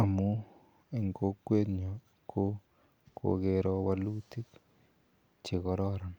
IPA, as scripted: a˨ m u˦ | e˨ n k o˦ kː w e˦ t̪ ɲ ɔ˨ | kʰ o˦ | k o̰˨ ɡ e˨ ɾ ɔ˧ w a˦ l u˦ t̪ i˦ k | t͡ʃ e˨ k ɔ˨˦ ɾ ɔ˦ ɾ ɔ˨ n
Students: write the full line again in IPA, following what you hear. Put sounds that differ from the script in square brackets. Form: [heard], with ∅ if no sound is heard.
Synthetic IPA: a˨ m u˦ | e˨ [ŋ] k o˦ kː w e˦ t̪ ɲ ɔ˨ | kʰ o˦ | k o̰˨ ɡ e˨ ɾ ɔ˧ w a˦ l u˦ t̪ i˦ k | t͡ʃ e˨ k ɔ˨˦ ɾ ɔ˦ ɾ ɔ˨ n